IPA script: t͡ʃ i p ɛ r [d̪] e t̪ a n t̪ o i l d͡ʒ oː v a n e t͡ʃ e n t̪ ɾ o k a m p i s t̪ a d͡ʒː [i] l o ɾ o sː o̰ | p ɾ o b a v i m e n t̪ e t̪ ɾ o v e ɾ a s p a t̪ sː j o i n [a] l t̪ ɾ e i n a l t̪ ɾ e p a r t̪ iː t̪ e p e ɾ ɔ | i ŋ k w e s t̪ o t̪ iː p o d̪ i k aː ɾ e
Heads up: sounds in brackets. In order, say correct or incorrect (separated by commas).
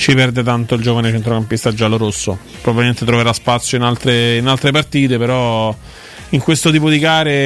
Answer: correct, incorrect, correct